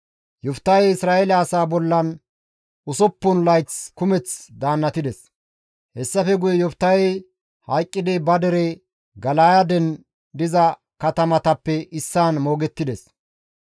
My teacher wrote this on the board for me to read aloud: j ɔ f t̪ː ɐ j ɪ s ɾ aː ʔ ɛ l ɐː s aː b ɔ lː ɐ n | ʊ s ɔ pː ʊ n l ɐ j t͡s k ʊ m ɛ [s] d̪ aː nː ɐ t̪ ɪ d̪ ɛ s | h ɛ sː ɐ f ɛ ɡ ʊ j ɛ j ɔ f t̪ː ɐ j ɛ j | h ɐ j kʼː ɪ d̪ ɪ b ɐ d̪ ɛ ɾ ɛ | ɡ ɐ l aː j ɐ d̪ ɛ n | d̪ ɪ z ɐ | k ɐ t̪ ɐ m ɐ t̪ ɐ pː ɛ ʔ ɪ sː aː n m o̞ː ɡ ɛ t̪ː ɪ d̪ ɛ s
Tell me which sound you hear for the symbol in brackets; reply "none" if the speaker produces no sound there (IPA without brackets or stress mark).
t͡s